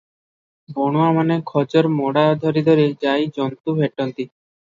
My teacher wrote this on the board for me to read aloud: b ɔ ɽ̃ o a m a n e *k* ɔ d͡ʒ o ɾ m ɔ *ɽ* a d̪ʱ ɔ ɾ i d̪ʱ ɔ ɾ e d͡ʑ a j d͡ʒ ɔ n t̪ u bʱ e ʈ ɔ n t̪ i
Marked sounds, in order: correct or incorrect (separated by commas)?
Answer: incorrect, correct